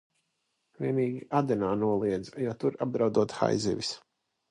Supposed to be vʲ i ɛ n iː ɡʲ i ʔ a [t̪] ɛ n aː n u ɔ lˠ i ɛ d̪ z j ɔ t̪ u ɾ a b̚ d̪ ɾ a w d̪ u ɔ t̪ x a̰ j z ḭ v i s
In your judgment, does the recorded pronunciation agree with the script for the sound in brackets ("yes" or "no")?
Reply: no